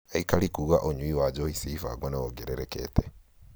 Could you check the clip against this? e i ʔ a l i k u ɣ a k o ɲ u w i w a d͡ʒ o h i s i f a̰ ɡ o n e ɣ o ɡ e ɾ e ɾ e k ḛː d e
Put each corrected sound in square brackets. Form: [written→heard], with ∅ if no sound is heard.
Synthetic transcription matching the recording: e i [ʔ→k] a l i k u ɣ a [k→ʔ] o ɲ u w i w a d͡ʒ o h i s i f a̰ ɡ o n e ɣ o ɡ e ɾ e ɾ e k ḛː [d→t] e